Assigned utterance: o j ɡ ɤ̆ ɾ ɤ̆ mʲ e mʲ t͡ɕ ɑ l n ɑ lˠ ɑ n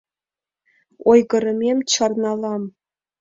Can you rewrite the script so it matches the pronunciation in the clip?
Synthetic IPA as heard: o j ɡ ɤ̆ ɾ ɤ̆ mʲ e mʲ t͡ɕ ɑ r n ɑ lˠ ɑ m

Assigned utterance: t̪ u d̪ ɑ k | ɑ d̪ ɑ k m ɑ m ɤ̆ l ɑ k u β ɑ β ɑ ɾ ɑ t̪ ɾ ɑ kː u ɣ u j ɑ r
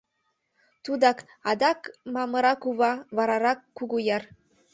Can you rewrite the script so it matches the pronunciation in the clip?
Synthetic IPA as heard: t̪ u d̪ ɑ k | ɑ d̪ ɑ k m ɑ m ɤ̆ ɾ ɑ k u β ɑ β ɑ ɾ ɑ ɾ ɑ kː u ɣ u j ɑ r

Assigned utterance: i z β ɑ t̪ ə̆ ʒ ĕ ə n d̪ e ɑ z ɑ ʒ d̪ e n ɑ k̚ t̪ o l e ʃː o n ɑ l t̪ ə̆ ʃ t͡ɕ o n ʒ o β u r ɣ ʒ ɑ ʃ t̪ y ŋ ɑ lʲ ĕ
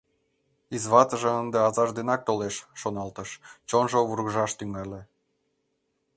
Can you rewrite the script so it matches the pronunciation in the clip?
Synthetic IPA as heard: i z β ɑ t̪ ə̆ ʒ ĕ ə n d̪ e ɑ z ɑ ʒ d̪ e n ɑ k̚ t̪ o l e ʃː o n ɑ l t̪ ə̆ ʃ t͡ɕ o n ʒ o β u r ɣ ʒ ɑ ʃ t̪ y ŋ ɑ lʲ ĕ

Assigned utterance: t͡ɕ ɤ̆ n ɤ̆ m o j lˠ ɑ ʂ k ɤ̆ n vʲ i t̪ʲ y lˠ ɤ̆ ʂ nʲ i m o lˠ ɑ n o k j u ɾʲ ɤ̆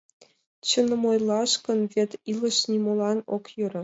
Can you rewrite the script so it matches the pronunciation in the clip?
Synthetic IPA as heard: t͡ɕ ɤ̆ n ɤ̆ m o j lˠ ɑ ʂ k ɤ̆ n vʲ e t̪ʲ i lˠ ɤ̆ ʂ nʲ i m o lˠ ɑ n o k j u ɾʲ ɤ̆

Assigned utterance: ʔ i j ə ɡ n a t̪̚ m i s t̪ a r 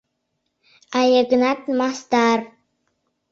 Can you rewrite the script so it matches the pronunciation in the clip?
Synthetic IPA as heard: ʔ a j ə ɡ n a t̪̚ m a s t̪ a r

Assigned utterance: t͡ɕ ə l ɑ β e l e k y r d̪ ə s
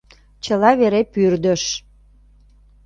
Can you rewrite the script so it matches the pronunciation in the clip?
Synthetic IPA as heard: t͡ɕ ə l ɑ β e ɾ e p y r d̪ ə ʃ

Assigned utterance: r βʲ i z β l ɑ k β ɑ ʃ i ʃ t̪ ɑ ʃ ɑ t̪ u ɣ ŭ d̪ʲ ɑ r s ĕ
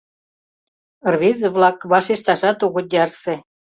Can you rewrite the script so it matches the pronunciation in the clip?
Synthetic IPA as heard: r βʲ i z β l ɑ k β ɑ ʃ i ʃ t̪ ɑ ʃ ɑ t̪ u ɣ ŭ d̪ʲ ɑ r s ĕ

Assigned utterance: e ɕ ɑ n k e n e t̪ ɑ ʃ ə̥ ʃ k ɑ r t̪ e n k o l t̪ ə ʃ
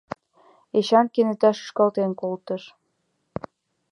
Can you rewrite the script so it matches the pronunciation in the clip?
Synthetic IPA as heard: e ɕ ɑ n k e n e t̪ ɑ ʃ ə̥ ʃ k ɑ l t̪ e n k o l t̪ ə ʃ

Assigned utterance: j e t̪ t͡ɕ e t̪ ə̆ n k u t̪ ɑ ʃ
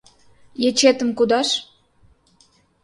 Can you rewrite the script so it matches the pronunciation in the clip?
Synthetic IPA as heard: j e t͡ɕ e t̪ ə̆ m k u d̪ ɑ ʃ

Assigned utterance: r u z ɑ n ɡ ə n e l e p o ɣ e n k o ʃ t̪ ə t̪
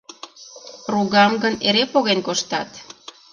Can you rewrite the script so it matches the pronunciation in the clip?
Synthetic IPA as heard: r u ɣ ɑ m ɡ ə n e ɾ e p o ɣ e n k o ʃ t̪ ɑ t̪

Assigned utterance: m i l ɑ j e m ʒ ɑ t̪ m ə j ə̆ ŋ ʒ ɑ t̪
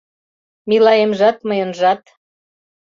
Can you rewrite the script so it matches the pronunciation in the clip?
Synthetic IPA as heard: m i l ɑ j e m ʒ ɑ t̪ m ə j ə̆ n ʒ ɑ t̪

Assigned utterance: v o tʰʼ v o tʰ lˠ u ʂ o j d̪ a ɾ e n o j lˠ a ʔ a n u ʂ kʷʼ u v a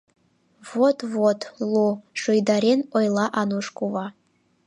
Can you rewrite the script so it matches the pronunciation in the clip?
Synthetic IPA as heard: v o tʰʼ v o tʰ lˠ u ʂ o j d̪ a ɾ e n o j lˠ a ʔ a n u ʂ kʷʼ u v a

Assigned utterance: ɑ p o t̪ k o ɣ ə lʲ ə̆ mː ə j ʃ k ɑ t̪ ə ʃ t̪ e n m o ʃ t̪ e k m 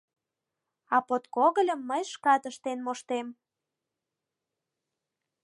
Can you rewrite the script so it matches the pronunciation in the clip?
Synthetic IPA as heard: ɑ p o t̪ k o ɣ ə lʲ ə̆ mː ə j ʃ k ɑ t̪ ə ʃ t̪ e n m o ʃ t̪ e m

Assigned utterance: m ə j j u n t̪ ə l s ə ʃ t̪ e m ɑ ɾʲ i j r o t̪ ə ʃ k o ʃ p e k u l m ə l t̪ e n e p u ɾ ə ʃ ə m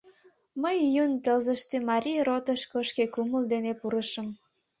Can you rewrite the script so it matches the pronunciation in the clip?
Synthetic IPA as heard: m ə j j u n t̪ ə l z ə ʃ t̪ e m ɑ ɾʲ i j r o t̪ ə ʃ k o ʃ k e k u m ə l d̪ e n e p u ɾ ə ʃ ə m

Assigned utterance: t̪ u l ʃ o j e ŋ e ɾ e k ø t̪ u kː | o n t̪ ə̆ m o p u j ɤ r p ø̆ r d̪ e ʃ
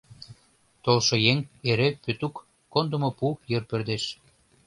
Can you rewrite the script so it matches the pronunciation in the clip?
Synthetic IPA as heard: t̪ o l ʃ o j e ŋ e ɾ e p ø t̪ u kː | o n d̪ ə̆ m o p u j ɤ r p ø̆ r d̪ e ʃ

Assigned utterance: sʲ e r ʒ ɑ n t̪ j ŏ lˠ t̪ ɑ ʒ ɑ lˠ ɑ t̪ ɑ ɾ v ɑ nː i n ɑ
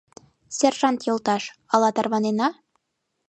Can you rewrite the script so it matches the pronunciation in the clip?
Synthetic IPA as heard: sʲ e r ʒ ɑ n t̪ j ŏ lˠ t̪ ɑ ʃ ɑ lˠ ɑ t̪ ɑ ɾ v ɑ n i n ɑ

